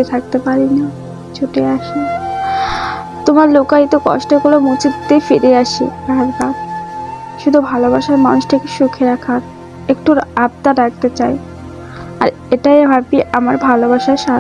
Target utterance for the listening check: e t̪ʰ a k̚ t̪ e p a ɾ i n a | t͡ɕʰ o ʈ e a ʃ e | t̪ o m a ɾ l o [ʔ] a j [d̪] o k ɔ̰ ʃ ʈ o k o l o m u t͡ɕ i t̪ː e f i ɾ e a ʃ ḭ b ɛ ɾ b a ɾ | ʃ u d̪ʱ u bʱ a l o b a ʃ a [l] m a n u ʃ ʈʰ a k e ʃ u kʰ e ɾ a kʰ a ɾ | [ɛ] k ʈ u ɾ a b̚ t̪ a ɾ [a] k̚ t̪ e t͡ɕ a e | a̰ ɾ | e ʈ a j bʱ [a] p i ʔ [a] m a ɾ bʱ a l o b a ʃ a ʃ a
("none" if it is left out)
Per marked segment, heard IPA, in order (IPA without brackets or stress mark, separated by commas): k, t̪, ɾ, e, a, a, a